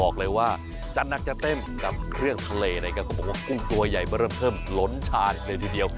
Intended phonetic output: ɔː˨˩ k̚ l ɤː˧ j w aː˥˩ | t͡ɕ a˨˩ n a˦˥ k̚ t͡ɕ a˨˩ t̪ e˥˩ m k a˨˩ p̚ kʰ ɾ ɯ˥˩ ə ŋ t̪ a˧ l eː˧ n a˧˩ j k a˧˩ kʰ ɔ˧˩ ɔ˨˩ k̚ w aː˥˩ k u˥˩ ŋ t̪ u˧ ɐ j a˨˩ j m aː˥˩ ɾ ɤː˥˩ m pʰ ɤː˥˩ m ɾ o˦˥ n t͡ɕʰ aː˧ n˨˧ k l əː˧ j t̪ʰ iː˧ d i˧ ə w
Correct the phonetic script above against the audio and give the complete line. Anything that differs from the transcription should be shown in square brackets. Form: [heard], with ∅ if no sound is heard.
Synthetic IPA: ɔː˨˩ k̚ l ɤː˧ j w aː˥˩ | t͡ɕ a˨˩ n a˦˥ k̚ t͡ɕ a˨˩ t̪ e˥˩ m k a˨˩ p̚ kʰ ɾ ɯ˥˩ ə ŋ [t̪ʰ] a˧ l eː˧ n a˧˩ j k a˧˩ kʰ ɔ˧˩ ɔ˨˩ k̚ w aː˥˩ k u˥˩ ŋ t̪ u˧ ɐ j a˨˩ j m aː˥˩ ɾ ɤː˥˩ m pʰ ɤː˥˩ m [l] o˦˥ n t͡ɕʰ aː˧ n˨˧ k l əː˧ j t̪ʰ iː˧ d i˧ ə w